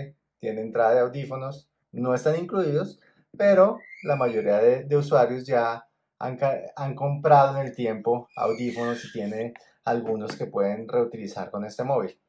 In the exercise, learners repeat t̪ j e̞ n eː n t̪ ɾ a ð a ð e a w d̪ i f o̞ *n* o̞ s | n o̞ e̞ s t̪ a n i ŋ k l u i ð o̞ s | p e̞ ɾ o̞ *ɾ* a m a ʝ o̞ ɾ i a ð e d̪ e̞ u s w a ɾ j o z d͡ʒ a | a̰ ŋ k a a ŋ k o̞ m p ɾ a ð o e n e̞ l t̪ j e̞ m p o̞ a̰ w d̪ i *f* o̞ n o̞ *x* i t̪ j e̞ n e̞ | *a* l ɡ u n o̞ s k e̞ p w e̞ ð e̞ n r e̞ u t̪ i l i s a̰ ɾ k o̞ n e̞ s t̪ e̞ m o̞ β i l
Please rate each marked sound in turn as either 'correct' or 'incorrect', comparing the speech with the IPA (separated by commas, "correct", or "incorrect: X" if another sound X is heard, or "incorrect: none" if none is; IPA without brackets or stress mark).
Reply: correct, incorrect: l, correct, incorrect: s, correct